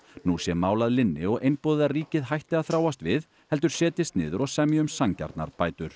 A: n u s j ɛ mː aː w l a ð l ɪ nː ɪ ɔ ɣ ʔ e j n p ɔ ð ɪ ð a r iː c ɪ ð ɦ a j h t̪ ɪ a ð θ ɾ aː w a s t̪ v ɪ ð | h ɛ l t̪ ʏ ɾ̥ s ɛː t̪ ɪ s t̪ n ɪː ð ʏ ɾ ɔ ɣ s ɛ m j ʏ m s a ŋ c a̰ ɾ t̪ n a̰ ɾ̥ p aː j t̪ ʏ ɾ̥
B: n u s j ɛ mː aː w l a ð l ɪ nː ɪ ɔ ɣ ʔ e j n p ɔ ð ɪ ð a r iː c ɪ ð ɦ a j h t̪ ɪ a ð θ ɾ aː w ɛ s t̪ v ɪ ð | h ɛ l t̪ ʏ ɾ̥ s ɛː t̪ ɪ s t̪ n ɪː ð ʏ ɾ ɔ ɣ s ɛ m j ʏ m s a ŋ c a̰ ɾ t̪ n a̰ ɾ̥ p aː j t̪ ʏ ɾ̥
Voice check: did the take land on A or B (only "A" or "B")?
A